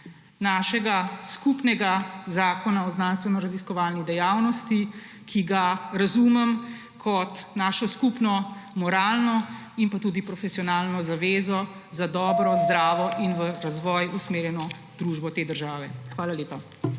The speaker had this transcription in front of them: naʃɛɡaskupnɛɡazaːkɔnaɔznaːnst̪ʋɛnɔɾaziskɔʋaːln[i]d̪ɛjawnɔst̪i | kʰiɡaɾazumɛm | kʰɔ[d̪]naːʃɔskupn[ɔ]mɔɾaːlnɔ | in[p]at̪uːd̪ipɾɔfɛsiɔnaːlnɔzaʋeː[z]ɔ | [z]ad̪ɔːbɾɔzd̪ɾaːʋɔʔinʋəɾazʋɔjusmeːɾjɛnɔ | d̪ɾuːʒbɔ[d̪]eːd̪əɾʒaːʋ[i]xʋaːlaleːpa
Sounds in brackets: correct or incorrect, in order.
correct, incorrect: t̪, correct, correct, correct, correct, incorrect: t̪, incorrect: ɛ

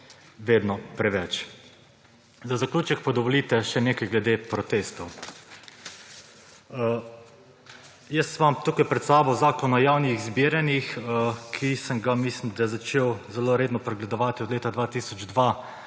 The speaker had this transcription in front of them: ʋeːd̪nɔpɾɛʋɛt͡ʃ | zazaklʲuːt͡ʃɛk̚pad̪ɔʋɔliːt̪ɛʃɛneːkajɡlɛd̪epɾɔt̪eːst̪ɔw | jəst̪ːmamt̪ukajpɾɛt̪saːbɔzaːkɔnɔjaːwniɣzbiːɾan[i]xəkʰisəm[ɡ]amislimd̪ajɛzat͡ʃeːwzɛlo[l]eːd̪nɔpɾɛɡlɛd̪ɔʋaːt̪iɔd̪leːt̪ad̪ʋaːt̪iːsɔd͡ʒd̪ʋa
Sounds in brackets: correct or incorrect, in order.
correct, correct, incorrect: ɾ

